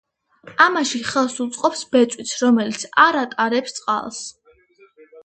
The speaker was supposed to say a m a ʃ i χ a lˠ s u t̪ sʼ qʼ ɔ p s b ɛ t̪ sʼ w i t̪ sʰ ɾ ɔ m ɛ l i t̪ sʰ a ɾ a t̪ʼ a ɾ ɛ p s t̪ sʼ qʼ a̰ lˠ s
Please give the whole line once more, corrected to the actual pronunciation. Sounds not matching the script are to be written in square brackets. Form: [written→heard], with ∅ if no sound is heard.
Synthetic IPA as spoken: a m a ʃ i χ [a→ɛ] lˠ s u t̪ sʼ qʼ ɔ p s b ɛ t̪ sʼ w i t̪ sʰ ɾ ɔ m ɛ l i t̪ sʰ a ɾ a t̪ʼ a ɾ ɛ p s t̪ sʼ qʼ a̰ lˠ s